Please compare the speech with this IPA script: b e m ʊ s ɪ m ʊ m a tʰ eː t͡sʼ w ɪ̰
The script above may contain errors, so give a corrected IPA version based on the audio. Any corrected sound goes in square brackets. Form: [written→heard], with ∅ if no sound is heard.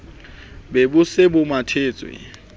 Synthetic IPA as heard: b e [m→b] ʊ s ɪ [m→b] ʊ m a tʰ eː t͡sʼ w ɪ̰